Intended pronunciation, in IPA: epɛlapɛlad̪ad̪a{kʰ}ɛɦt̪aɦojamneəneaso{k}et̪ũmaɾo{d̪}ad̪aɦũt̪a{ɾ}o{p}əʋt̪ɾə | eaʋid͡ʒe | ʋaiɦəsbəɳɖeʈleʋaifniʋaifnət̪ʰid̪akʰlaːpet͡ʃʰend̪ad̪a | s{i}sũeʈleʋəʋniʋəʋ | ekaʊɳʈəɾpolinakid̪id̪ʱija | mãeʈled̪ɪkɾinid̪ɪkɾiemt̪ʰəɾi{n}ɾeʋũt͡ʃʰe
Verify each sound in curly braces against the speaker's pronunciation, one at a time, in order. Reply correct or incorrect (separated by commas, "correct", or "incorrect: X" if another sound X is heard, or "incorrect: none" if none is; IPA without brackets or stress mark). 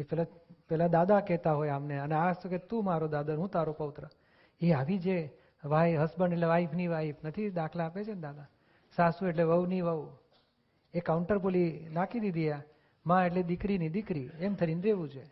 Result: incorrect: k, correct, correct, correct, correct, incorrect: a, correct